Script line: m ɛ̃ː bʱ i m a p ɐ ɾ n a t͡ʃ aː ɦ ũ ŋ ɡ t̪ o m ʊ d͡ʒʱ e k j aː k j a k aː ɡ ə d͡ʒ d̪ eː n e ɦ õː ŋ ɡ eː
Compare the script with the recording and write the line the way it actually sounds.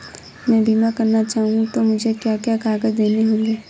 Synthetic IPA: m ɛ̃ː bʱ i m a k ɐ ɾ n a t͡ʃ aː ɦ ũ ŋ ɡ t̪ o m ʊ d͡ʒʱ e k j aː k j a k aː ɡ ə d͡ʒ d̪ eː n e ɦ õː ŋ ɡ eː